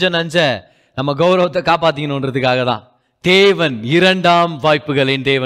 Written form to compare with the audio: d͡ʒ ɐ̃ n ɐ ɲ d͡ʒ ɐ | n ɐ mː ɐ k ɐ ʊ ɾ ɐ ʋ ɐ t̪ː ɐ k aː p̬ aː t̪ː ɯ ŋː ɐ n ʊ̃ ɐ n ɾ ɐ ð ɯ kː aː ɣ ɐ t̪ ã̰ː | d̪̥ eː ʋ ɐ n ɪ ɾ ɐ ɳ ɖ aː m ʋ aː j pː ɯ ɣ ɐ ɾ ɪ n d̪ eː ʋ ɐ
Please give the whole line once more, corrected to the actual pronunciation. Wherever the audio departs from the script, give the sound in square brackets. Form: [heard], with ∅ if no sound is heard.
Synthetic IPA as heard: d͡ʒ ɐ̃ n ɐ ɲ d͡ʒ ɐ | n ɐ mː ɐ [ɡ] ɐ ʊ ɾ ɐ ʋ ɐ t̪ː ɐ k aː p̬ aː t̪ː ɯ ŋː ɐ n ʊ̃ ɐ n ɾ ɐ ð ɯ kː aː ɣ ɐ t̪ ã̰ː | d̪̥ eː ʋ ɐ n ɪ ɾ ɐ ɳ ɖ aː m ʋ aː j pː ɯ ɣ ɐ [ɭ] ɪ n d̪ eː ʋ ɐ